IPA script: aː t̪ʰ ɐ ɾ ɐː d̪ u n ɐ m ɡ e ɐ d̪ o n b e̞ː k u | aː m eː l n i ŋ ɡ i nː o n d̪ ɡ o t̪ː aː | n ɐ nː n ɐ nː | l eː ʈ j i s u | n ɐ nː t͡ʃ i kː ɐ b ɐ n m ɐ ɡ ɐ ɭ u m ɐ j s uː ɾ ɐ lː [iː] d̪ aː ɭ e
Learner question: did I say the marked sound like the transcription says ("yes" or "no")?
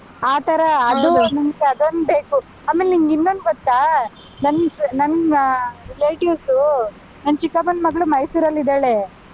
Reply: no